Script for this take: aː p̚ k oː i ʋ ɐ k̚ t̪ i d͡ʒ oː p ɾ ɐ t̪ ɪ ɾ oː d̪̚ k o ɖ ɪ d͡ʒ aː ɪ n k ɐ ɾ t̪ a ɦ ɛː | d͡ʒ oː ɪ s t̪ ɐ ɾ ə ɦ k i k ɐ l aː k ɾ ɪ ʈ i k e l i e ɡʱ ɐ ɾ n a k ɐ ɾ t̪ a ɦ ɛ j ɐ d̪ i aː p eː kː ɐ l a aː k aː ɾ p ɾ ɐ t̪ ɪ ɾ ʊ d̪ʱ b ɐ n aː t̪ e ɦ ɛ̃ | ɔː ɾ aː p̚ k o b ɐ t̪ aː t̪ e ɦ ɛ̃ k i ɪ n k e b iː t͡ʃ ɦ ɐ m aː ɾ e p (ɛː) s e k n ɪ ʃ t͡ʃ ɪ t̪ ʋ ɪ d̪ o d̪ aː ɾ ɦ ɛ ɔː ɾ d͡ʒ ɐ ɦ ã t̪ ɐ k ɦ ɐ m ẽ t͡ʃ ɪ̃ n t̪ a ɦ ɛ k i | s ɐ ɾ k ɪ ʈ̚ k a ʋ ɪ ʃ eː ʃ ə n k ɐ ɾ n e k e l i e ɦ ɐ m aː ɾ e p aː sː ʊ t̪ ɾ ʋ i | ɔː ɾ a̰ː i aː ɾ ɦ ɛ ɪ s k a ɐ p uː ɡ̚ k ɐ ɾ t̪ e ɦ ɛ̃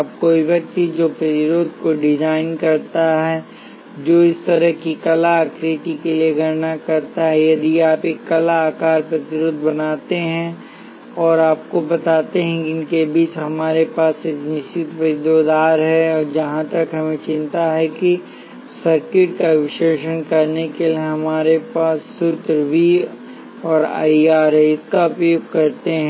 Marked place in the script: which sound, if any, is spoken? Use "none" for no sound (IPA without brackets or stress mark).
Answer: aː